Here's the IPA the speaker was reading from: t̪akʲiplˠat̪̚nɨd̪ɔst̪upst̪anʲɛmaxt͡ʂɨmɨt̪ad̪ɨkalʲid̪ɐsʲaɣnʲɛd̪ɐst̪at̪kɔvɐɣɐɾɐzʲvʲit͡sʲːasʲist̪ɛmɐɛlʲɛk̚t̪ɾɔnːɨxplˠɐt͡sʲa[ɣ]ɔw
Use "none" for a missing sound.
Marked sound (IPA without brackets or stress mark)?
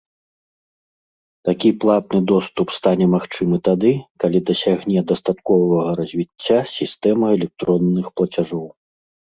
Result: ʐ